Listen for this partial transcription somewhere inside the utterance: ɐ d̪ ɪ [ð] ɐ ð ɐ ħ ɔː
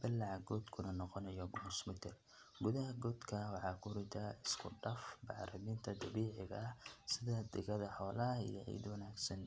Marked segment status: incorrect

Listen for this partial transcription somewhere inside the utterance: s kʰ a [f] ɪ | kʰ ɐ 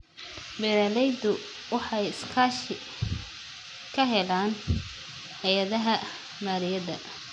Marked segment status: incorrect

